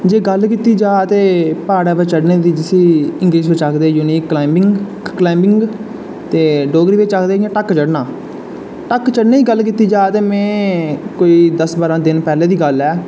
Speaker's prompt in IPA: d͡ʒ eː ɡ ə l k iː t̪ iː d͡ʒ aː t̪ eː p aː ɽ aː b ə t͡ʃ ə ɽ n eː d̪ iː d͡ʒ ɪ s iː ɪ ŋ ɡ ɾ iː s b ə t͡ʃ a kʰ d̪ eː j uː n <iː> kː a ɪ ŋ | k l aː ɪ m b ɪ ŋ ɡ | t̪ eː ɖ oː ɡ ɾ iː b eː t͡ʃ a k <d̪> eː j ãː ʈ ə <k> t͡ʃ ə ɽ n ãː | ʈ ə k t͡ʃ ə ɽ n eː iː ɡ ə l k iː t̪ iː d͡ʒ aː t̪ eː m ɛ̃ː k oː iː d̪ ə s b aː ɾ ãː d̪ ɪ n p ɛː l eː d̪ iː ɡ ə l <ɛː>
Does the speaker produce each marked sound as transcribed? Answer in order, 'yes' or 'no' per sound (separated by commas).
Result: yes, yes, yes, yes